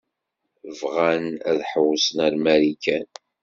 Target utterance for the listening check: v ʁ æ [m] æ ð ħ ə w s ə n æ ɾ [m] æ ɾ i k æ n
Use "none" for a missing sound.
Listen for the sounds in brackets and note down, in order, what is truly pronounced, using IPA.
n, m

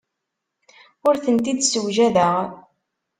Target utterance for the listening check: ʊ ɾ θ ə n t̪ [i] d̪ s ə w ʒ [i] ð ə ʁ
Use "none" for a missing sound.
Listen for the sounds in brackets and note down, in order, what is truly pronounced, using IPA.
i, æ

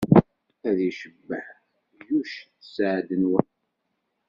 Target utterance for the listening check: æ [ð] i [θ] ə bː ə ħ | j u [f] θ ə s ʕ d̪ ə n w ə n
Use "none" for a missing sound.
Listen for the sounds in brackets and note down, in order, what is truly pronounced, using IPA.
ð, ʃ, ʃ

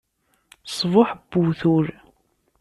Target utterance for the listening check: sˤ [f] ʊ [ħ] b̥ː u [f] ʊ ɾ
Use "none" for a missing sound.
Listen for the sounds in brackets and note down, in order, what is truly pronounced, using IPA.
v, ħ, θ

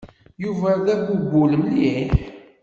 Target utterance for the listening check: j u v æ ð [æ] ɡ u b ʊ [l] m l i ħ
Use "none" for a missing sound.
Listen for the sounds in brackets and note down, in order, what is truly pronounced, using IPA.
æ, l

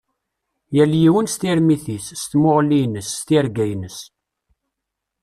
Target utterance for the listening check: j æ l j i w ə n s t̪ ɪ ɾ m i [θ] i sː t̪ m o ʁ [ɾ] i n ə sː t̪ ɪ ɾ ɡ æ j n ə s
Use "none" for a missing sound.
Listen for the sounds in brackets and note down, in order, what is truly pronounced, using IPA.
θ, l

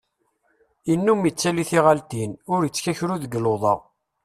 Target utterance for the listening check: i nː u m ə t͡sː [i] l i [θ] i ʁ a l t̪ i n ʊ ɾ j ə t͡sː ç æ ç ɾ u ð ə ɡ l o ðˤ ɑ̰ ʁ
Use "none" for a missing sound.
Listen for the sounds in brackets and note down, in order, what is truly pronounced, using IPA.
æ, θ

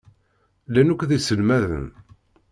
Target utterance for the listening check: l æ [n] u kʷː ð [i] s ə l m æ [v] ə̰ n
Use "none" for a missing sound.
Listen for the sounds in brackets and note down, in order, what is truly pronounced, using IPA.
n, i, ð

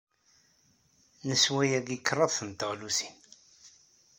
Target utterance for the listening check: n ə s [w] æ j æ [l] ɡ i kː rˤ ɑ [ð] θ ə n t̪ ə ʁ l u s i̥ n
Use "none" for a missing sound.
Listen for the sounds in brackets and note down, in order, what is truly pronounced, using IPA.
w, none, ð

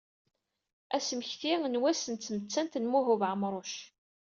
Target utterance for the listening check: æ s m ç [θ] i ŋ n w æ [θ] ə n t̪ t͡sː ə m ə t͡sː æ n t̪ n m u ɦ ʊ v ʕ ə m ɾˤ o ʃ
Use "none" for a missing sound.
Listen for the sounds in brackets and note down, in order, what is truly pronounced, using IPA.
θ, s

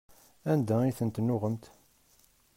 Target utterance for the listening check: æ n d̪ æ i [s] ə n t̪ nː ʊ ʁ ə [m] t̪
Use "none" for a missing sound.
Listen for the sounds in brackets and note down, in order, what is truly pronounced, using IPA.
θ, m

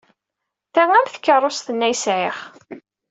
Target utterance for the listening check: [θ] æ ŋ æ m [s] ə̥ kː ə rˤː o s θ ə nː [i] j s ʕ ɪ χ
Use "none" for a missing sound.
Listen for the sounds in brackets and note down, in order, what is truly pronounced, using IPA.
θ, θ, æ

